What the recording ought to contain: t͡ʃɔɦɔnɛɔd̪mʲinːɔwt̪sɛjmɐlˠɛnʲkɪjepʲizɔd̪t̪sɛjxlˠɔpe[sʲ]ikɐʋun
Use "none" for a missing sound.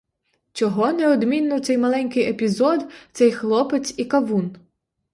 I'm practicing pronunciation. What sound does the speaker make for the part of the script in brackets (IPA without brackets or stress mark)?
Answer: t͡sʲ